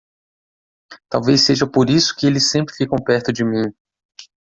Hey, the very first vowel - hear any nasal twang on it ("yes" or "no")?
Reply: no